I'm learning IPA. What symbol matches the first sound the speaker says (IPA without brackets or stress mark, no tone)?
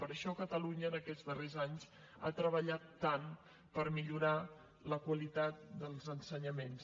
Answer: p